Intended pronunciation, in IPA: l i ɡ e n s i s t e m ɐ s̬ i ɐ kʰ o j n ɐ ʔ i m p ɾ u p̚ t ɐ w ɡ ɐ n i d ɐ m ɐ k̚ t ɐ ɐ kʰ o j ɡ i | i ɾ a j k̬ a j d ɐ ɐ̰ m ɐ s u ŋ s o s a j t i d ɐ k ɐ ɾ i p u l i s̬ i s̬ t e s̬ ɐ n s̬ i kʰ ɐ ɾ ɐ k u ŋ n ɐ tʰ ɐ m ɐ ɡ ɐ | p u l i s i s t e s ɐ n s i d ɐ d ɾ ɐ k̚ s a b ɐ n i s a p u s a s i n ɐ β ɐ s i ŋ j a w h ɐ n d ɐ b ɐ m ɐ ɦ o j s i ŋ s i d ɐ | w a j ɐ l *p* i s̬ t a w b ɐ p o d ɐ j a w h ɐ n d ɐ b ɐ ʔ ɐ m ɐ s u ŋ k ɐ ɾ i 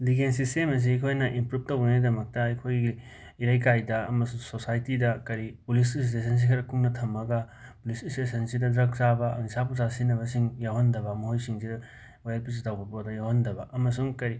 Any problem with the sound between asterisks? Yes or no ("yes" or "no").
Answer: no